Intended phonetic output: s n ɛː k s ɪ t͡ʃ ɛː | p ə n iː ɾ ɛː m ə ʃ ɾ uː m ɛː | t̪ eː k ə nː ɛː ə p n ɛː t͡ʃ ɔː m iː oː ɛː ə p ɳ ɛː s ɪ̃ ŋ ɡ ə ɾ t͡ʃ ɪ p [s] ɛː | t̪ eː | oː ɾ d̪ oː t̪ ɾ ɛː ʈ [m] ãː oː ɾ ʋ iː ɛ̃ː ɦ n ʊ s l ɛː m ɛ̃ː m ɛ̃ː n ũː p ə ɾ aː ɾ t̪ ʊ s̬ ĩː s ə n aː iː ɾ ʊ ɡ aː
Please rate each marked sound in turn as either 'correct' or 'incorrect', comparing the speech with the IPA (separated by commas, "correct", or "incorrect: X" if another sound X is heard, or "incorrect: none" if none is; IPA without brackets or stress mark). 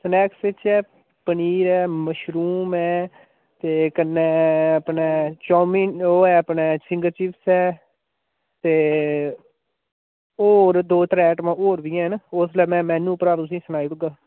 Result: correct, correct